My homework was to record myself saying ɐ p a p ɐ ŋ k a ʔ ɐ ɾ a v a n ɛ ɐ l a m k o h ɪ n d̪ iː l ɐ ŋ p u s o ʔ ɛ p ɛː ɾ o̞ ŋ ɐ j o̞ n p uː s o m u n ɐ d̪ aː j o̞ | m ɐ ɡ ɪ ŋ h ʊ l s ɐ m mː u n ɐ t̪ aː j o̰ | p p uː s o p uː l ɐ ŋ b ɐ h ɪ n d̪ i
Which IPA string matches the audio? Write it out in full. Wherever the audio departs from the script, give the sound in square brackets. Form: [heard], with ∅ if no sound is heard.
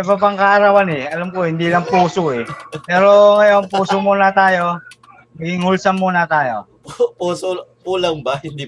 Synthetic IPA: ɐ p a p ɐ ŋ k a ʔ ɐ ɾ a [w] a n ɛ ɐ l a m k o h ɪ n d̪ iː l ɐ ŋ p [uː] s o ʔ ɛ p ɛː ɾ o̞ ŋ ɐ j o̞ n p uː s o m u n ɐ [t̪] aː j o̞ | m ɐ ɡ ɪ ŋ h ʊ l s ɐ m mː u n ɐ t̪ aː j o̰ | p p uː s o p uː l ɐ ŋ b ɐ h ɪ n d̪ i